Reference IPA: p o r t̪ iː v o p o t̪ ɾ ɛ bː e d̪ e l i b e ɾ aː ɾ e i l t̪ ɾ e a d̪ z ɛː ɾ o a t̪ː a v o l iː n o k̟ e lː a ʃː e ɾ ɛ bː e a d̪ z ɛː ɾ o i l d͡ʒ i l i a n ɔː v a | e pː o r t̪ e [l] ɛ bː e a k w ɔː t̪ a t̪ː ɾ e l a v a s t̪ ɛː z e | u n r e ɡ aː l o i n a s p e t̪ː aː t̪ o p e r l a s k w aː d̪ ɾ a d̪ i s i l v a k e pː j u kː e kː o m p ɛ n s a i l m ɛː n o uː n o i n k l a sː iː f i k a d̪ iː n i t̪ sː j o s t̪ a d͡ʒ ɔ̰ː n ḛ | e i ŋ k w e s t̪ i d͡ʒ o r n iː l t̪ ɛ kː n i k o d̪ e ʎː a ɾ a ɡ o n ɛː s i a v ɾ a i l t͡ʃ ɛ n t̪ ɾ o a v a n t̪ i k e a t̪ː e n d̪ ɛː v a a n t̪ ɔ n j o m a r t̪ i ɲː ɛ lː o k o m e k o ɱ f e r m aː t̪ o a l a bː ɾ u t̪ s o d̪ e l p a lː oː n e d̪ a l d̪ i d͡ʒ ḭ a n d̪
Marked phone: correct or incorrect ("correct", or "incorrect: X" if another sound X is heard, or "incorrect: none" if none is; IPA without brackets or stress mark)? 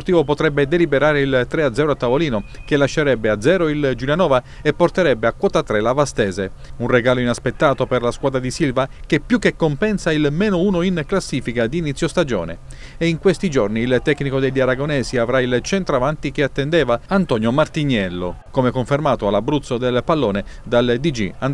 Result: incorrect: ɾ